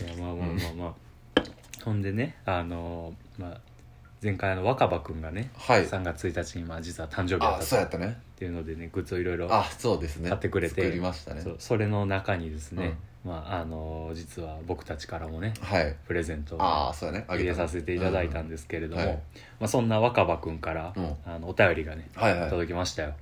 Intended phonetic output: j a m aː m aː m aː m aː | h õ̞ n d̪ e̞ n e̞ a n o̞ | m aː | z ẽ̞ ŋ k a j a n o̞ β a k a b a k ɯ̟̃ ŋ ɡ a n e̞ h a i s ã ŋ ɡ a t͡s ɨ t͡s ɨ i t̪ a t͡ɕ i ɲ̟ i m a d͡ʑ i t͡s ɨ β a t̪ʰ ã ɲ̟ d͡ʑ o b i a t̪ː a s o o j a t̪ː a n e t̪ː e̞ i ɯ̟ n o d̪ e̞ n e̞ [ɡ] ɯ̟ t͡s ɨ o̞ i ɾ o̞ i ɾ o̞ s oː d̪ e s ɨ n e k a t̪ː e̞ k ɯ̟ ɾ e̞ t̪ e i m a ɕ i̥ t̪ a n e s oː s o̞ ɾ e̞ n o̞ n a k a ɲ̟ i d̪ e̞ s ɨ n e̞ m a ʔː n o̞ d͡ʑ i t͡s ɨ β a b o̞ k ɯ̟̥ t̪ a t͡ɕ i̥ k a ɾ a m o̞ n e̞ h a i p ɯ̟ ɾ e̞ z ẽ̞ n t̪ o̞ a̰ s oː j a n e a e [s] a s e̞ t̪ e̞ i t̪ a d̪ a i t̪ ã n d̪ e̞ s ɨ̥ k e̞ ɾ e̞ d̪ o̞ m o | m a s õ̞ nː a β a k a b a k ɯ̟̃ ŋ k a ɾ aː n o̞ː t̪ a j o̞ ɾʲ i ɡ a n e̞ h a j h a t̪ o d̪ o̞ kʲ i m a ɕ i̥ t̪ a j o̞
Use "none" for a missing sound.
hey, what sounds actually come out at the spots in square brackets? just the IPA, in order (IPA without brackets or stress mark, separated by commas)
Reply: ɡ, s